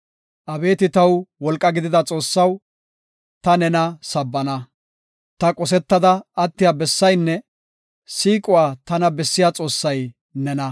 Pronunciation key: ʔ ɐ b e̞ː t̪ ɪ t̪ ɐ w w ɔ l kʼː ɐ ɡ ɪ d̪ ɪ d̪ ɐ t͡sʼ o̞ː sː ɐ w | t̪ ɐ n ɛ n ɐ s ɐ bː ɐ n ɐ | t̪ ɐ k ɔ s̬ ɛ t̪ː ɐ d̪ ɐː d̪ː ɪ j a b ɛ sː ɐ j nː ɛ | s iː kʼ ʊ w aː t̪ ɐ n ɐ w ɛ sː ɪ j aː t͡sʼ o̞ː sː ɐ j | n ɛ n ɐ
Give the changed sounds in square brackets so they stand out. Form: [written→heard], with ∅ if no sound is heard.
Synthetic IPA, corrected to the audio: ʔ ɐ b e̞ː t̪ ɪ t̪ ɐ w w ɔ l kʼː ɐ ɡ ɪ d̪ ɪ d̪ ɐ t͡sʼ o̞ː sː ɐ w | t̪ ɐ n ɛ n ɐ s ɐ bː ɐ n ɐ | t̪ ɐ [k→kʼ] ɔ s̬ ɛ t̪ː ɐ d̪ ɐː [d̪ː→t̪ː] ɪ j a b ɛ sː ɐ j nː ɛ | s iː kʼ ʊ w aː t̪ ɐ n ɐ [w→b] ɛ sː ɪ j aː t͡sʼ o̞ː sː ɐ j | n ɛ n ɐ